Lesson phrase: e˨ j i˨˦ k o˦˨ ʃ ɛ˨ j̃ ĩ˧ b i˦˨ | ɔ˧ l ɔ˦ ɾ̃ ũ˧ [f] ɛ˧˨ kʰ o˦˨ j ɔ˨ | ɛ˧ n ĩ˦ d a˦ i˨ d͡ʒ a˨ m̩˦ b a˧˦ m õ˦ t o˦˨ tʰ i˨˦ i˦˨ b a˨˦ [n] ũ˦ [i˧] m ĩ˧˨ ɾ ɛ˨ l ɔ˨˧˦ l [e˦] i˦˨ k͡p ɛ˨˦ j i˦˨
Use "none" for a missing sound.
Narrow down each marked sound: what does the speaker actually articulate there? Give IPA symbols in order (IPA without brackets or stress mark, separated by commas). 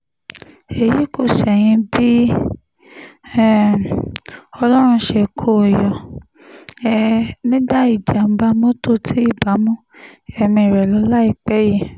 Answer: ʃ, m, ɛ˧, a˦